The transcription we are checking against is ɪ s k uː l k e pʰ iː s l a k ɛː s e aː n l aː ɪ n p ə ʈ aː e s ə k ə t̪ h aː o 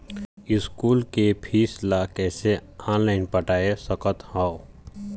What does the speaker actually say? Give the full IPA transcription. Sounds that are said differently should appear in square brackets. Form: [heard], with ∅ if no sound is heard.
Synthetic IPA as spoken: ɪ s k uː l k e pʰ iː s l a k ɛː s e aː n l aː ɪ n p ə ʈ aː e s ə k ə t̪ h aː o